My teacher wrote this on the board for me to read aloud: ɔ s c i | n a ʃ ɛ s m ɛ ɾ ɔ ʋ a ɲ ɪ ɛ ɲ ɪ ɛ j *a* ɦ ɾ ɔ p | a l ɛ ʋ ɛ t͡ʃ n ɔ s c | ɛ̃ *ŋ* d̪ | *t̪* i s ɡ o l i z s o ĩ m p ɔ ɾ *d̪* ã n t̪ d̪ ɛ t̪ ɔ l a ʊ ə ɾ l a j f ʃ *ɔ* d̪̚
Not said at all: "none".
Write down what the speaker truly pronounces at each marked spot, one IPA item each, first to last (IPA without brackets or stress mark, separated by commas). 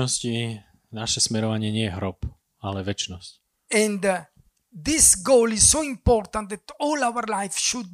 ɛ, n, d̪, t̪, u